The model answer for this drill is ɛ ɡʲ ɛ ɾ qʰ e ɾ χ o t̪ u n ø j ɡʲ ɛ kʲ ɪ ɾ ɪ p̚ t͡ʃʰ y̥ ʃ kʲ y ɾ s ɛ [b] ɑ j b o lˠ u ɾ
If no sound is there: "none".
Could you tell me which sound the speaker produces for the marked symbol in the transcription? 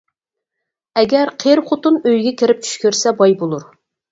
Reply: b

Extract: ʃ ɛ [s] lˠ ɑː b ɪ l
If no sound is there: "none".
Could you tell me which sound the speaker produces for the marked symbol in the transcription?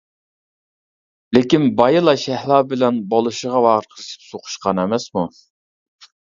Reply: h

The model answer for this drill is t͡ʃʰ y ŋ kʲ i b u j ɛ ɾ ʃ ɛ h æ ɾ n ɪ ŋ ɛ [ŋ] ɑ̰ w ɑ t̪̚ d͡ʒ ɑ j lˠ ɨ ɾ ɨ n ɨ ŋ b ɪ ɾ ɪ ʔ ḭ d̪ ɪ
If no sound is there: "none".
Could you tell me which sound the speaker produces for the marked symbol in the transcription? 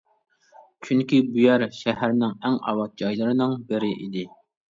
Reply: ŋ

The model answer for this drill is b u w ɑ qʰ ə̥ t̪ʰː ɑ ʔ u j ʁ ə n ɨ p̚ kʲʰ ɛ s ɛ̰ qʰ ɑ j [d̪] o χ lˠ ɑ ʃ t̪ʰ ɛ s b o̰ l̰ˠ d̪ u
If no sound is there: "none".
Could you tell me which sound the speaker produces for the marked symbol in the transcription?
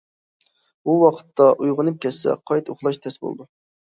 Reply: t̪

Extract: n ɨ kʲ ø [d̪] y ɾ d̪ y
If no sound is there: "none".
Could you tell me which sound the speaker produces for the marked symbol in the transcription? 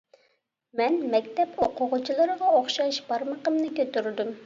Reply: t̪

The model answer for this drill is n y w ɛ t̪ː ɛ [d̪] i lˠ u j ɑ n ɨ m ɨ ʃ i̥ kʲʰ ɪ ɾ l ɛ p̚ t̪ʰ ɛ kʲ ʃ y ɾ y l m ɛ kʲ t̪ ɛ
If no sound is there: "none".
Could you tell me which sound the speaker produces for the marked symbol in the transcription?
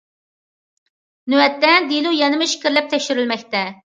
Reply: d̪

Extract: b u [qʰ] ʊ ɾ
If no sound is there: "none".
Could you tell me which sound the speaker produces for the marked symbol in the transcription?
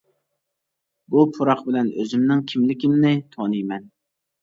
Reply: pʰ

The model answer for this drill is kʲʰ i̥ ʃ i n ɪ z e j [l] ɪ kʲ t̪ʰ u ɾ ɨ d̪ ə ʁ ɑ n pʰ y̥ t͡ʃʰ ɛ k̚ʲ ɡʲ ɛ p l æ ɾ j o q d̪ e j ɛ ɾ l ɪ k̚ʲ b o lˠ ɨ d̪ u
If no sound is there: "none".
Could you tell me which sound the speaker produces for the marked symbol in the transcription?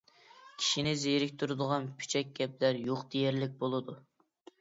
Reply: ɾ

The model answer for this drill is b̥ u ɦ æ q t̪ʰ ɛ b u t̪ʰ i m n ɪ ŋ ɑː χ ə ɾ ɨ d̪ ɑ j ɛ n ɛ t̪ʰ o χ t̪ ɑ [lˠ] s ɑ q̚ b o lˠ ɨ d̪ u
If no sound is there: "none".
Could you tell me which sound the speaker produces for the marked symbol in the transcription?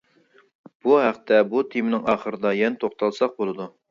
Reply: lˠ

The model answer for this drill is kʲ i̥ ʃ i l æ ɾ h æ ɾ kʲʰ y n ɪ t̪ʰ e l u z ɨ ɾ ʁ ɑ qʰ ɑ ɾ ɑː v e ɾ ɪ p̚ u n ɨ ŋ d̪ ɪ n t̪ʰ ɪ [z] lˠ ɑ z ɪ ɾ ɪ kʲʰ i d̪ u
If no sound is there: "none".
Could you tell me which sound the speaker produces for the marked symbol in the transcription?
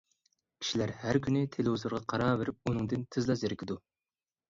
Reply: z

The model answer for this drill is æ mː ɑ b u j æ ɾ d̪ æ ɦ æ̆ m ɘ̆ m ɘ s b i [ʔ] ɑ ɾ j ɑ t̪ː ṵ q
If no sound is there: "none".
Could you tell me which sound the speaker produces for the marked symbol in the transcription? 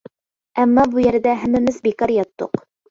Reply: k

